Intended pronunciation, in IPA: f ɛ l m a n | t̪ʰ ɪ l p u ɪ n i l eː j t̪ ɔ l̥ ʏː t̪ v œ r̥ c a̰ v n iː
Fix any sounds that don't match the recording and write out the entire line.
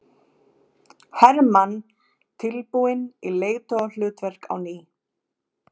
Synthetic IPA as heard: h ɛ ɾ m a n | t̪ʰ ɪ l p u ɪ n i l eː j t̪ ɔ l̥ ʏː t̪ v ɛ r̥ k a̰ w n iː